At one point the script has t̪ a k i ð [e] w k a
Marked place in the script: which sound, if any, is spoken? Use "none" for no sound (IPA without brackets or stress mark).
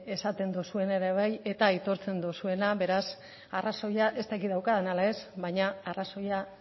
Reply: a